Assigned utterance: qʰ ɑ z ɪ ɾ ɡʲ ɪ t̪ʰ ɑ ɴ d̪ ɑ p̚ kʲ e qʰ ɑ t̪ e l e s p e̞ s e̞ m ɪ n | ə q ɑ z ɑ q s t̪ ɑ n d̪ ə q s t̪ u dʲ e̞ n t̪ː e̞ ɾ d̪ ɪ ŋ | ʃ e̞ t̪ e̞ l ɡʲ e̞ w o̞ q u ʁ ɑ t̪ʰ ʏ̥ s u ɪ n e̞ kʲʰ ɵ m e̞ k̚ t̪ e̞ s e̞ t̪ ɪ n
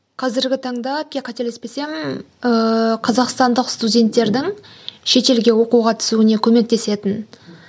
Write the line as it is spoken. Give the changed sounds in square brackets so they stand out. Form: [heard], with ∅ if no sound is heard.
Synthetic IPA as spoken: qʰ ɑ z ɪ ɾ ɡʲ ɪ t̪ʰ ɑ ɴ d̪ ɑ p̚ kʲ e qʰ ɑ t̪ e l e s p e̞ s e̞ m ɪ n | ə [qʰ] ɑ z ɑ q s t̪ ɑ n d̪ ə q s t̪ u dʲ e̞ n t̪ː e̞ ɾ d̪ ɪ ŋ | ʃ e̞ t̪ e̞ l ɡʲ e̞ w o̞ q u ʁ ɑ t̪ʰ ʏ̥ s u ɪ n e̞ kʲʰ ɵ m e̞ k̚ t̪ e̞ s e̞ t̪ ɪ n

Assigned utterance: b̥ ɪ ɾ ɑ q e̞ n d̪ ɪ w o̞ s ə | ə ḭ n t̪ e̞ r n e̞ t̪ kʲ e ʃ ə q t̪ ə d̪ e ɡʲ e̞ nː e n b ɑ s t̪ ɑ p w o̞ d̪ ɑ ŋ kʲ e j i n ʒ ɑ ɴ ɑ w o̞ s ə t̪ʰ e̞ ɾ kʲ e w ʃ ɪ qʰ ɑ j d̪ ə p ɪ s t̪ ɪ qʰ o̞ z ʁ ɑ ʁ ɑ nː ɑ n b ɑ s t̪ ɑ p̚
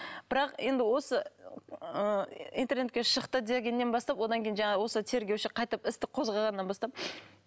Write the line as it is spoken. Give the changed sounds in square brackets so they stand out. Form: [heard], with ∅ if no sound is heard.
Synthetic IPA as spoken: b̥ ɪ ɾ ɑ q e̞ n d̪ ɪ w o̞ s ə | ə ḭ n t̪ e̞ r n e̞ t̪ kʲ e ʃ ə q t̪ ə d̪ e ɡʲ e̞ nː e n b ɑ s t̪ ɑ p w o̞ d̪ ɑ ŋ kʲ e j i n ʒ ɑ ɴ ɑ w o̞ s ə t̪ʰ e̞ ɾ [ɡʲ] e w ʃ ɪ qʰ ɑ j [t̪] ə p ɪ s t̪ ɪ qʰ o̞ z ʁ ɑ ʁ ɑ nː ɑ n b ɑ s t̪ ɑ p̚

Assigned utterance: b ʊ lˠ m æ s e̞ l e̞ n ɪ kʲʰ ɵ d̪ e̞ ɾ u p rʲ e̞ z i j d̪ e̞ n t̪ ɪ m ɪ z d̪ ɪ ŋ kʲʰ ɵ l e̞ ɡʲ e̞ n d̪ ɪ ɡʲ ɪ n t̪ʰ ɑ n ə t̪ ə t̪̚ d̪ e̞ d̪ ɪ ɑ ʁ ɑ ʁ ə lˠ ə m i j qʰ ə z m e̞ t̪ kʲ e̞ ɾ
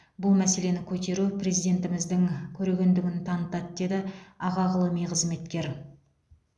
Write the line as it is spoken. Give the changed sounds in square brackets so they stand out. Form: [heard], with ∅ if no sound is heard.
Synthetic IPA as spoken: b ʊ lˠ m æ s e̞ l e̞ n ɪ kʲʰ ɵ [t̪] e̞ ɾ u p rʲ e̞ z i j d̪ e̞ n t̪ ɪ m ɪ z d̪ ɪ ŋ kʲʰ ɵ [ɾ] e̞ ɡʲ e̞ n d̪ ɪ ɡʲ ɪ n t̪ʰ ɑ n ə t̪ [ɑ] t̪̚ d̪ e̞ d̪ ɪ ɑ ʁ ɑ ʁ ə lˠ ə m i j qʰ ə z m e̞ t̪ kʲ e̞ ɾ

